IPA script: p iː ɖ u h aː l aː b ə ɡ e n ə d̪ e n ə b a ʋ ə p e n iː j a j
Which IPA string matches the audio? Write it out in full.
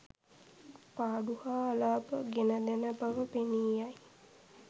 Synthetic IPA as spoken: p aː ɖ u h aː l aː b ə ɡ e n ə d̪ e n ə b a ʋ ə p e n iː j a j

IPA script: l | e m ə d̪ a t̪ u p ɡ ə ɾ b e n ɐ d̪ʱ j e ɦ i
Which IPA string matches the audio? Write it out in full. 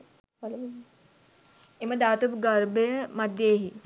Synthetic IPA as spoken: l | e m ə d̪ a t̪ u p ɡ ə ɾ b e m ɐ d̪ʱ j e ɦ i

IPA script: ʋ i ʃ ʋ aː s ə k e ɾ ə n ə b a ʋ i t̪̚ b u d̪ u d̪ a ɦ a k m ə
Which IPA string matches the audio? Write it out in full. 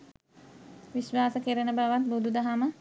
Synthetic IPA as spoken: ʋ i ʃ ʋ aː s ə k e ɾ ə n ə b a ʋ a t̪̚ b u d̪ u d̪ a ɦ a m ə

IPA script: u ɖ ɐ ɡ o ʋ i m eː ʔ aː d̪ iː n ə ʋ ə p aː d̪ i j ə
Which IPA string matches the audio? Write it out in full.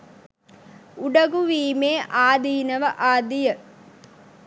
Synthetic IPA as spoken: u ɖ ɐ ɡ u ʋ iː m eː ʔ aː d̪ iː n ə ʋ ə ʔ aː d̪ i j ə

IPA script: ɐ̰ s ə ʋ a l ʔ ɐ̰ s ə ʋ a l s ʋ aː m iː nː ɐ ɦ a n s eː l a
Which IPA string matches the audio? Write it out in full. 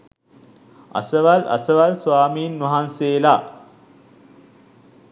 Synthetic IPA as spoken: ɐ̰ s ə ʋ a l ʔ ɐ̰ s ə ʋ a l s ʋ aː m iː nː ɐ ɦ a n s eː l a

